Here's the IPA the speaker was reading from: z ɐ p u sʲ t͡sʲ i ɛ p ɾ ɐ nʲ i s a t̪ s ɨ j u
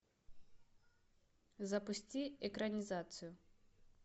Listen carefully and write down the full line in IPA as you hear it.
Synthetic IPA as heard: z ɐ p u sʲ t͡sʲ i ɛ k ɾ ɐ nʲ i z a t̪ s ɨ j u